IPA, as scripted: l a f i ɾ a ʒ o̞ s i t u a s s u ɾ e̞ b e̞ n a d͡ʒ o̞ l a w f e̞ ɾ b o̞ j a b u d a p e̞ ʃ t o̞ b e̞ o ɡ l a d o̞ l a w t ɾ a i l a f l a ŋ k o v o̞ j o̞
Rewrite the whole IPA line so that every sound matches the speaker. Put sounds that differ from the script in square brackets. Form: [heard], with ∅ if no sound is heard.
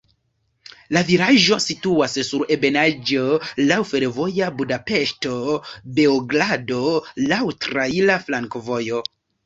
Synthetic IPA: l a [v] i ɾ a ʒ o̞ s i t u a s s u ɾ e̞ b e̞ n a d͡ʒ o̞ l a w f e̞ ɾ [v] o̞ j a b u d a p e̞ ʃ t o̞ b e̞ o ɡ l a d o̞ l a w t ɾ a i l a f l a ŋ k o v o̞ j o̞

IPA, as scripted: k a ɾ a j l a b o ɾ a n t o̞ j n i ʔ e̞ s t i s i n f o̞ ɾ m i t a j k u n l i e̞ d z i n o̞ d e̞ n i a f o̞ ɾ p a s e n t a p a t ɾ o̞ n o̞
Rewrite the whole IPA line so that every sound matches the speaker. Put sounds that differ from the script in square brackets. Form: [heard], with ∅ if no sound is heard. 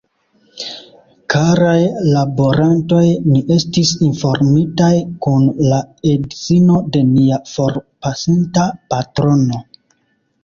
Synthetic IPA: k a ɾ a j l a b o ɾ a n t o̞ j n i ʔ e̞ s t i s i n f o̞ ɾ m i t a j k u n l [a] e̞ d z i n o̞ d e̞ n i a f o̞ ɾ p a s [i] n t a p a t ɾ o̞ n o̞

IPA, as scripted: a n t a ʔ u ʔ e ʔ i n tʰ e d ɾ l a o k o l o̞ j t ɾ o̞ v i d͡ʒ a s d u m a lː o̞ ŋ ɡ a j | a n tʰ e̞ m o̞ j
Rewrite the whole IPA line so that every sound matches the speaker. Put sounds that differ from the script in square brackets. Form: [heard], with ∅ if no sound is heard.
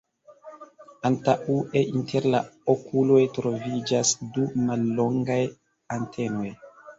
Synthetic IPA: a n t a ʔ u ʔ e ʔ i n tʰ e [∅] ɾ l a o k [u] l o̞ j t ɾ o̞ v i d͡ʒ a s d u m a lː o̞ ŋ ɡ a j | a n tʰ e̞ [n] o̞ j

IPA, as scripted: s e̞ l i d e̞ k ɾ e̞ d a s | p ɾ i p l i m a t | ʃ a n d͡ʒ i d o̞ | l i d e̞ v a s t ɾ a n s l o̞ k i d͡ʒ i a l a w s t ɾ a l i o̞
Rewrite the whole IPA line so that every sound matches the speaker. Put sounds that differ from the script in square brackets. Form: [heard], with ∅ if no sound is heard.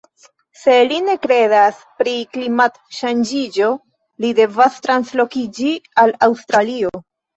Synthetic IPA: s e̞ l i [n] e̞ k ɾ e̞ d a s | p ɾ i [k] l i m a t | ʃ a n d͡ʒ i [d͡ʒ] o̞ | l i d e̞ v a s t ɾ a n s l o̞ k i d͡ʒ i a l a w s t ɾ a l i o̞

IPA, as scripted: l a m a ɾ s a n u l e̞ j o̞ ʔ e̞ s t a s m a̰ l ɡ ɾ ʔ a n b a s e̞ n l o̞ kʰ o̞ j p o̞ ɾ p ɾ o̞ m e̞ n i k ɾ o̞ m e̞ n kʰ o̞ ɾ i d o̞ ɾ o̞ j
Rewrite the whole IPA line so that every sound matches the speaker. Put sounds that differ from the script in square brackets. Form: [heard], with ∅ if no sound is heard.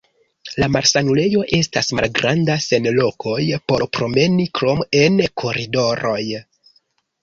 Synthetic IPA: l a m a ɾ s a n u l e̞ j o̞ ʔ e̞ s t a s m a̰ l ɡ ɾ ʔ a n [d] a s e̞ n l o̞ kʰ o̞ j p o̞ ɾ p ɾ o̞ m e̞ n i k ɾ o̞ m e̞ n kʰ o̞ ɾ i d o̞ ɾ o̞ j

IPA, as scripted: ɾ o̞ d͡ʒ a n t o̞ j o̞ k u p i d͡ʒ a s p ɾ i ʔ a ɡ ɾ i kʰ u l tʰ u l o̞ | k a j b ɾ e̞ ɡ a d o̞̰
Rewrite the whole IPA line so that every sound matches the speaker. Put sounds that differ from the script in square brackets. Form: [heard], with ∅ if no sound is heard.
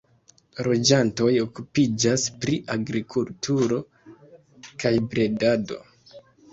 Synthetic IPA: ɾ o̞ d͡ʒ a n t o̞ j o̞ k u p i d͡ʒ a s p ɾ i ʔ a ɡ ɾ i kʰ u l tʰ u [ɾ] o̞ | k a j b ɾ e̞ [d] a d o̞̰

